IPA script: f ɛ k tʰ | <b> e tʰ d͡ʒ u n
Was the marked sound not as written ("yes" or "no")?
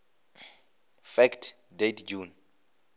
yes